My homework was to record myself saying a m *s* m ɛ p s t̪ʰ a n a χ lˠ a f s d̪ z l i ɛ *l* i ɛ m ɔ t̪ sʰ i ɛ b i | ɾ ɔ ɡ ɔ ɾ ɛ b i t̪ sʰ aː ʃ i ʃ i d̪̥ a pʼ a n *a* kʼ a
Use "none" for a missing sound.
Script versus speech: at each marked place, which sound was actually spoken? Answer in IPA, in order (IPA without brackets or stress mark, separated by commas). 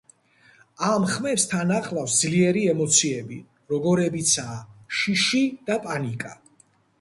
χ, ɾ, i